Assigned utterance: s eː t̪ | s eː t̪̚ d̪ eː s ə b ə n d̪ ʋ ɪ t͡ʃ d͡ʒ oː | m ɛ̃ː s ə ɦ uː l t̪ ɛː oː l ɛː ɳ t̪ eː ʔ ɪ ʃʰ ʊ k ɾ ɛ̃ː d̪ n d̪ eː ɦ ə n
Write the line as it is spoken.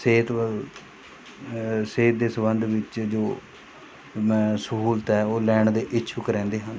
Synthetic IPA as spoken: s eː t̪ | s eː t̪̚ d̪ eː s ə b ə n d̪ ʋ ɪ t͡ʃ d͡ʒ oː | m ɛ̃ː s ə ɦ uː l t̪ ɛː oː l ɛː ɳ d̪ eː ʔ ɪ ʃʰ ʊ k ɾ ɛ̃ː n d̪ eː ɦ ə n